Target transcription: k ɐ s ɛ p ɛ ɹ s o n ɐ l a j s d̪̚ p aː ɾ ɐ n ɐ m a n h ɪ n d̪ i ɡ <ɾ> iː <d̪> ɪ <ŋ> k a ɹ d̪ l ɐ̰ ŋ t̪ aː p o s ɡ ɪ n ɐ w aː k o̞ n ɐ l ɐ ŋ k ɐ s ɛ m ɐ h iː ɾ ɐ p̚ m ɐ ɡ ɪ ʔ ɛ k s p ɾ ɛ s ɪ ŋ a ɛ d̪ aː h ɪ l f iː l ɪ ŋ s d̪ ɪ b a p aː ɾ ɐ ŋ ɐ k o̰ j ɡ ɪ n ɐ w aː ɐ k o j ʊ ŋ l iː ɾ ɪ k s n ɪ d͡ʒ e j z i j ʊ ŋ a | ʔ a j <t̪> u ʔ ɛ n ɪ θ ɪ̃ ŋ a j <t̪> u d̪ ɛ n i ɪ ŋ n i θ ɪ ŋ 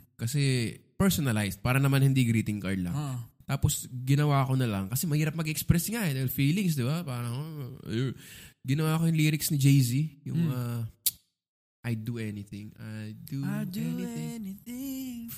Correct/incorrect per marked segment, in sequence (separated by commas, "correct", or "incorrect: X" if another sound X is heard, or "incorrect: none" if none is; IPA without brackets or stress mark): correct, incorrect: t̪, correct, incorrect: d̪, incorrect: d̪